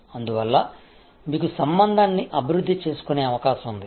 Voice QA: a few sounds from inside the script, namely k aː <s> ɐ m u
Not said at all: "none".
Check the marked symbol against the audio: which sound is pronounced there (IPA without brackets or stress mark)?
ʃ